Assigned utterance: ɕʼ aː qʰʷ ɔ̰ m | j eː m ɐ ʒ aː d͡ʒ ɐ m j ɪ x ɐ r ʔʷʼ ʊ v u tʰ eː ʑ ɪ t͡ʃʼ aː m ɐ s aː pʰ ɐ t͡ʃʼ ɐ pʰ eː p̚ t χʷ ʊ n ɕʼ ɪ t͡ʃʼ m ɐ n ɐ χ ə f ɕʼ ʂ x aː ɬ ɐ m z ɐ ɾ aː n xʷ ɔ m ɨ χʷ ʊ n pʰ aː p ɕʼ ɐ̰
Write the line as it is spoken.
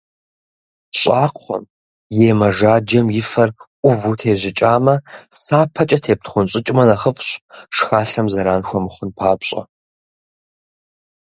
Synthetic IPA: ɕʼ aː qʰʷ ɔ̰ m | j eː m ɐ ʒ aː d͡ʒ ɐ m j ɪ f ɐ r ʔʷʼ ʊ v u tʰ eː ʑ ɪ t͡ʃʼ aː m ɐ s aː pʰ ɐ t͡ʃʼ ɐ tʰ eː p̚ t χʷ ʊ n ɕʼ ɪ t͡ʃʼ m ɐ n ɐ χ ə f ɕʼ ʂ x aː ɬ ɐ m z ɐ ɾ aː n xʷ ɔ m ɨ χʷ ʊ n pʰ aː p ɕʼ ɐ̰